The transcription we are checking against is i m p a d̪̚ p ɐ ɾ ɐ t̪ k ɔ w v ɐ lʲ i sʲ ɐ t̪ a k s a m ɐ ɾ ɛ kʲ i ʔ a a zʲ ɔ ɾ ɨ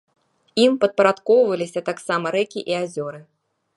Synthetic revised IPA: i m p ɐ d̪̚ p ɐ ɾ a t̪ k ɔ w v ɐ lʲ i sʲ ɐ t̪ a k s a m ɐ ɾ ɛ kʲ i ʔ i a zʲ ɔ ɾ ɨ